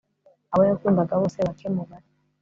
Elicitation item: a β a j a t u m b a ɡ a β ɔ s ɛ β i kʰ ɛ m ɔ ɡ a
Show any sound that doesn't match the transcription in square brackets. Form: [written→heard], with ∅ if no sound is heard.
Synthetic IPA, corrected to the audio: a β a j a [t→k] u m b a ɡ a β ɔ s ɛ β [i→a] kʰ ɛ m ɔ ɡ a